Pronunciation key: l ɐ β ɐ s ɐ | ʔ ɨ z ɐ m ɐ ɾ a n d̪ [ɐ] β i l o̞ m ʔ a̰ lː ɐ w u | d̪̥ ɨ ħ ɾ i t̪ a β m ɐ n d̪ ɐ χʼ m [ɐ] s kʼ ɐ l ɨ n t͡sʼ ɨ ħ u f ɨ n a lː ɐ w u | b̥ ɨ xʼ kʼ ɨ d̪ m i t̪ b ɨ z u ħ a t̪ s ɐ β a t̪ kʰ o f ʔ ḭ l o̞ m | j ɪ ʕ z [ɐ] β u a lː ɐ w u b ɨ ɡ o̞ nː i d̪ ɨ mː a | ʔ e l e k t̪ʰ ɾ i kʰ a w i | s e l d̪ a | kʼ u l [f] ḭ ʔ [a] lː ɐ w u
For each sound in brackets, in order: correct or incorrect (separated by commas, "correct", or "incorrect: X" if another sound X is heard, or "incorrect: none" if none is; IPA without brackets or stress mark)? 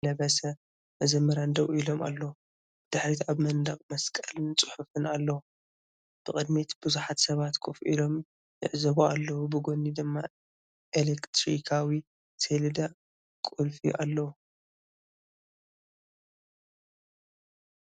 correct, correct, correct, correct, correct